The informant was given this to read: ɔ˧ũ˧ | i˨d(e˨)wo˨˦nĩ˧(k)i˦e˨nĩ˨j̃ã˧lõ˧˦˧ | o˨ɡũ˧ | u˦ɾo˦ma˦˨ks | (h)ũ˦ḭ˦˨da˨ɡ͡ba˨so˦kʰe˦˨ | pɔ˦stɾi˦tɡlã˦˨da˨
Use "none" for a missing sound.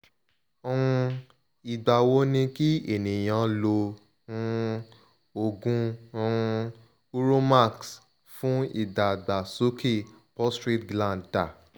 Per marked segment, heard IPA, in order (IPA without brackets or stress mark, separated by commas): a˨, k, f